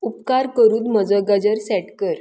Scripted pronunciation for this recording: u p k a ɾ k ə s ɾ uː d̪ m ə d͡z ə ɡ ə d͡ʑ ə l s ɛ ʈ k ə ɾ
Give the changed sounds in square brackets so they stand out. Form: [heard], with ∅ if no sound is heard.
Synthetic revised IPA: u p k a ɾ k ə [∅] ɾ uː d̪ m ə d͡z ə ɡ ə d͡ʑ ə [ɾ] s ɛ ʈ k ə ɾ